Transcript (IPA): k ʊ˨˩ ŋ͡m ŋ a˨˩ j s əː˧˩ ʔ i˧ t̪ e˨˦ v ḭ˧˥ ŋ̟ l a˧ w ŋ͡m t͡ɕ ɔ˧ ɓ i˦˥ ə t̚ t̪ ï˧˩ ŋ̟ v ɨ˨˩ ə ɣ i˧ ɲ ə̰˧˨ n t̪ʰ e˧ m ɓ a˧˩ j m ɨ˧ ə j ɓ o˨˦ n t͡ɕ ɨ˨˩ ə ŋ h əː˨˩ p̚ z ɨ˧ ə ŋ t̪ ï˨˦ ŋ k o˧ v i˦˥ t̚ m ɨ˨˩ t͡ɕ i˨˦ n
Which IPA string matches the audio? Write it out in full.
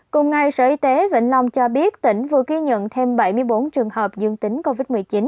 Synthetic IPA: k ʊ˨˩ ŋ͡m ŋ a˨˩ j s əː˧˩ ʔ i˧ t̪ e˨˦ v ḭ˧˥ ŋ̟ l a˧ w ŋ͡m t͡ɕ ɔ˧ ɓ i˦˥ ə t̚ t̪ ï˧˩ ŋ̟ v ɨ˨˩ ə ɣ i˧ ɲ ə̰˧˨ n t̪ʰ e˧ m ɓ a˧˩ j m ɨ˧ ə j ɓ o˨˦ n t͡ɕ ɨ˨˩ ə ŋ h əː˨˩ p̚ z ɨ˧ ə ŋ t̪ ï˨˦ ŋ k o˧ v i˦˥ t̚ m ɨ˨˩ t͡ɕ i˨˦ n

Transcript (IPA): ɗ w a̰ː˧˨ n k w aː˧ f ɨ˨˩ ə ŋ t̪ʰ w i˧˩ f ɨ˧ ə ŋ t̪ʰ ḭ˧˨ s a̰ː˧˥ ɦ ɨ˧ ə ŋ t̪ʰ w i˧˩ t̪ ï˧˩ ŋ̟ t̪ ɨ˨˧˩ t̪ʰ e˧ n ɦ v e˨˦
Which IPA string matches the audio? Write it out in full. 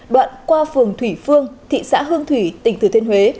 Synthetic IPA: ɗ w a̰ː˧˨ n k w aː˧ f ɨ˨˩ ə ŋ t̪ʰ w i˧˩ f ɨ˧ ə ŋ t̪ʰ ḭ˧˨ s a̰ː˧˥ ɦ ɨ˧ ə ŋ t̪ʰ w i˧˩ t̪ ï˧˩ ŋ̟ t̪ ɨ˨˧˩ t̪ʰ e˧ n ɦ w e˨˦

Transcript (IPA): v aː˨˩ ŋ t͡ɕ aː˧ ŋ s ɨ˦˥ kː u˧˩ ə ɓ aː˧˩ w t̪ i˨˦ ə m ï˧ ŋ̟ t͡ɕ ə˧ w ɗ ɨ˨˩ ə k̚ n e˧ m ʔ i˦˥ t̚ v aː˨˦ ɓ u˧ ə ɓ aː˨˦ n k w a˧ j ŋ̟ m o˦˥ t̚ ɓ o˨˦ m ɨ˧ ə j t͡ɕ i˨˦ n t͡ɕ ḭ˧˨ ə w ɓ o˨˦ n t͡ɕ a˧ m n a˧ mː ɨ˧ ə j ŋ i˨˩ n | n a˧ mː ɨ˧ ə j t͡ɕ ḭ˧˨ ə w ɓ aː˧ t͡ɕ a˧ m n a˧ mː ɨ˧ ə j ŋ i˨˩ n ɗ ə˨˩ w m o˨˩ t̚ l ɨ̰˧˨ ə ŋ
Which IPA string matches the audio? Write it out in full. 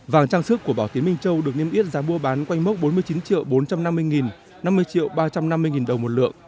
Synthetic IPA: v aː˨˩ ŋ t͡ɕ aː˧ ŋ s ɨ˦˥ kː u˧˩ ə ɓ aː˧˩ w t̪ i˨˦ ə m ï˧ ŋ̟ t͡ɕ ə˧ w ɗ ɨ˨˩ ə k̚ n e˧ m ʔ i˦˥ t̚ z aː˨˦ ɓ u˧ ə ɓ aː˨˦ n k w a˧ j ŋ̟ m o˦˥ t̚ ɓ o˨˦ m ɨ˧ ə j t͡ɕ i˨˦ n t͡ɕ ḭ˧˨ ə w ɓ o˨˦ n t͡ɕ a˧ m n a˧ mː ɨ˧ ə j ŋ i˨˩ n | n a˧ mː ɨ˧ ə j t͡ɕ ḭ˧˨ ə w ɓ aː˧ t͡ɕ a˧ m n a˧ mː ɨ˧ ə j ŋ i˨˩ n ɗ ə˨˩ w m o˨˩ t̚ l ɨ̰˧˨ ə ŋ

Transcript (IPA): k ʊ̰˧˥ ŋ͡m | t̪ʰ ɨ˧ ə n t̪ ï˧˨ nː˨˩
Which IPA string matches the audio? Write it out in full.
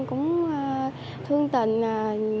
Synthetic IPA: k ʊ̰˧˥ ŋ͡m | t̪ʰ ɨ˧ ə ŋ t̪ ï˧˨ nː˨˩

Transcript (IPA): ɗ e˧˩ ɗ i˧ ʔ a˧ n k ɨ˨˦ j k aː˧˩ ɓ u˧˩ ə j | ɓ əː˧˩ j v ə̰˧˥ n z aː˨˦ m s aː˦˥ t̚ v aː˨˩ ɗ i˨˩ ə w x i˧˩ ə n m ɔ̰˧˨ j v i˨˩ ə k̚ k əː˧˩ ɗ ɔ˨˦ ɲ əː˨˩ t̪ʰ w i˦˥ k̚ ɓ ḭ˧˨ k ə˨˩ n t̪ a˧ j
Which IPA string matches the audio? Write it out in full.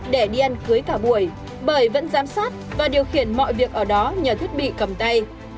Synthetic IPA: ɗ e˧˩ ɗ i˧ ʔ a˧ n k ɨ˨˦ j k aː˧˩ ɓ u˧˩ ə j | ɓ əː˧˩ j v ə̰˧˥ n z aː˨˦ m s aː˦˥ t̚ v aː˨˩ ɗ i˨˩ ə w x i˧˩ ə n m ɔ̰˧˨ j v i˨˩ ə k̚ ʔ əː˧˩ ɗ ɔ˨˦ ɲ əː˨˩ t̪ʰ w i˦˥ t̚ ɓ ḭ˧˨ k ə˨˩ m t̪ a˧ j

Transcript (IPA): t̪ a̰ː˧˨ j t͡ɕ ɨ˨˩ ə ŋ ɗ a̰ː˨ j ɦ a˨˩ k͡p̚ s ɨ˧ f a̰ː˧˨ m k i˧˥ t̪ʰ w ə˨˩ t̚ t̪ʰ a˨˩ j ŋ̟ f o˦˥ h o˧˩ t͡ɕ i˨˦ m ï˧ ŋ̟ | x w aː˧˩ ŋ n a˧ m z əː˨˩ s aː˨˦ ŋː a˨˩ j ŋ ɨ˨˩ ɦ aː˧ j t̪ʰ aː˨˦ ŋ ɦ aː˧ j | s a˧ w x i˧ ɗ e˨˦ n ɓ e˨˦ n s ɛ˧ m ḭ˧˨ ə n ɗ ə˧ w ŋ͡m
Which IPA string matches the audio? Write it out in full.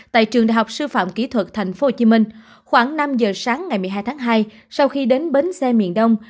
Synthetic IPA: t̪ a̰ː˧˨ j t͡ɕ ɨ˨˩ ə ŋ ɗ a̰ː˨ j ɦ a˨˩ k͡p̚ s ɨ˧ f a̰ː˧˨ m k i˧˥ t̪ʰ w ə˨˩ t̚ t̪ʰ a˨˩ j ŋ̟ f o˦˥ h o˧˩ t͡ɕ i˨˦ m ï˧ ŋ̟ | x w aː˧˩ ŋ n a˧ m z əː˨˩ s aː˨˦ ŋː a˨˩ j m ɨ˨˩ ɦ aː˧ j t̪ʰ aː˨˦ ŋ ɦ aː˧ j | s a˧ w x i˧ ɗ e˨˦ n ɓ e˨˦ n s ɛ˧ m ḭ˧˨ ə n ɗ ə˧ w ŋ͡m

